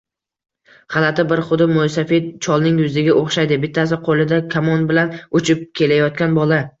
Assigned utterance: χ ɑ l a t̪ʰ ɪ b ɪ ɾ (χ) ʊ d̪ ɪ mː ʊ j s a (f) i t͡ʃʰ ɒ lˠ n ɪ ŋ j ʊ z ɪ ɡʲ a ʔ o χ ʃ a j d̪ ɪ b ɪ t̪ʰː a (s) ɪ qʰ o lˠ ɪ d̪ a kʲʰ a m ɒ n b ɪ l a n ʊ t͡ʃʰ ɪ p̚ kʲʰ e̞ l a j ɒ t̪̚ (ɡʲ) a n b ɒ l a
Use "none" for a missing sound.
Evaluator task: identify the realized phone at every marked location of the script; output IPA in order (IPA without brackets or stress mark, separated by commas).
χ, f, s, kʲ